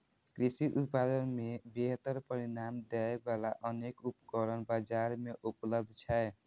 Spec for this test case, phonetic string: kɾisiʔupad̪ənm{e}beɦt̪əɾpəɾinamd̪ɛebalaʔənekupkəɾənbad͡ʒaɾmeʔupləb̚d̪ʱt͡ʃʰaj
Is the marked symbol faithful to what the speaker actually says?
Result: yes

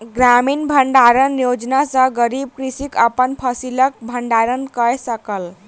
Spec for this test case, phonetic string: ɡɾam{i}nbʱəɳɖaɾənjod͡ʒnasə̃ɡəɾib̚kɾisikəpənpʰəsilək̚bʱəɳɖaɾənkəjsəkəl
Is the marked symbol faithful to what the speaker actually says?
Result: yes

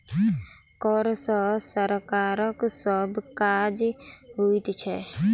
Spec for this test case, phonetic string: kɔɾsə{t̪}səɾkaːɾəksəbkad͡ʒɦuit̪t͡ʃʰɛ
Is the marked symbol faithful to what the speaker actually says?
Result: no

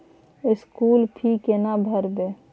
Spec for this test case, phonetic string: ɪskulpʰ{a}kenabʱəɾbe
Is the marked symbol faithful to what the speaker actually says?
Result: no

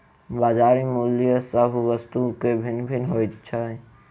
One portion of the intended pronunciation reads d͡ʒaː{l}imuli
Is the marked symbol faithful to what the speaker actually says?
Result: no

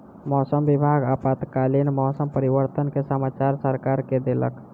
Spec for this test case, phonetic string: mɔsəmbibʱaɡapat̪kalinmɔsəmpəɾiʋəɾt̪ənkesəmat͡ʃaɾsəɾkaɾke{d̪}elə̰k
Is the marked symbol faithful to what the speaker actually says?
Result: yes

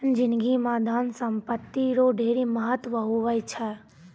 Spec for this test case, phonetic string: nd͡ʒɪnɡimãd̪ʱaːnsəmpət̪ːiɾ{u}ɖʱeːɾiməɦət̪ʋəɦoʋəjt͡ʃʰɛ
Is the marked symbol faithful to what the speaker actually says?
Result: no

